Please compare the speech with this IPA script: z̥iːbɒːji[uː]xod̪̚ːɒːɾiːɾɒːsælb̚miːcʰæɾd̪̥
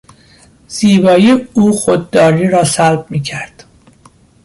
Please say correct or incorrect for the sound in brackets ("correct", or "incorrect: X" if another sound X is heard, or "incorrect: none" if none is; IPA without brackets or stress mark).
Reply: correct